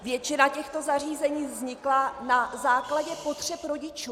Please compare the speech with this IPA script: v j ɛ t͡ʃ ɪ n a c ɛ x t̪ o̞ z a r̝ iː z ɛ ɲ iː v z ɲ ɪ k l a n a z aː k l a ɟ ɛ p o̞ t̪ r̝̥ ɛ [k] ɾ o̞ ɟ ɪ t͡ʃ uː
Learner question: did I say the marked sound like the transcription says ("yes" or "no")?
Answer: no